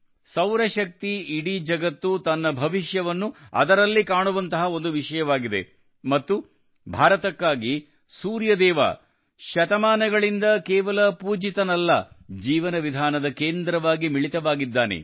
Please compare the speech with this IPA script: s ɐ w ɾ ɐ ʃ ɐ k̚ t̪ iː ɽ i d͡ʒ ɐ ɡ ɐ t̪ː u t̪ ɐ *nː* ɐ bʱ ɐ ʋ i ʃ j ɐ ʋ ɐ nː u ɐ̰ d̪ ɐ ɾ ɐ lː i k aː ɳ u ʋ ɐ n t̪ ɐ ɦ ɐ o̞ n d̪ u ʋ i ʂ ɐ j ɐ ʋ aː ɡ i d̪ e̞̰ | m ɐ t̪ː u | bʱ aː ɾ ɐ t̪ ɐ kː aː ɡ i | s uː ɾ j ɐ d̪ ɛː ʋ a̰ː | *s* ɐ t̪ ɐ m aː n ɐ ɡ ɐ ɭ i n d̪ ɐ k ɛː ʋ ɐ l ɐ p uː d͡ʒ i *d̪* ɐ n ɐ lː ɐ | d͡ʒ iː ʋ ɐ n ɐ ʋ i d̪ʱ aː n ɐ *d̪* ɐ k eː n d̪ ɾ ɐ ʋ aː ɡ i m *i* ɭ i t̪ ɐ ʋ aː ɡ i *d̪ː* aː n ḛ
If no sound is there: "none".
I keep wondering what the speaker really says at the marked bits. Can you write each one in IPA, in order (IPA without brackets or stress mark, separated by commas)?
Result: nː, ʃ, t̪, d̪, i, d̪ː